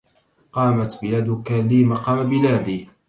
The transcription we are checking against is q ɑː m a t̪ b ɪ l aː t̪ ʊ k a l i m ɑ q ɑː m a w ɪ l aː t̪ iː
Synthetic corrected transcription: q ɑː m a t̪ b ɪ l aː d̪ ʊ k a l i m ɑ q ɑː m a b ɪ l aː d̪ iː